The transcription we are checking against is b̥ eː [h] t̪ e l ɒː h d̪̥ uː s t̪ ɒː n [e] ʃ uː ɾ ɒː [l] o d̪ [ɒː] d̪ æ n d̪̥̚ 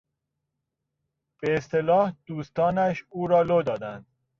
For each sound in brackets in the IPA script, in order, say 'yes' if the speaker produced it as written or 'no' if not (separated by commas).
no, no, yes, yes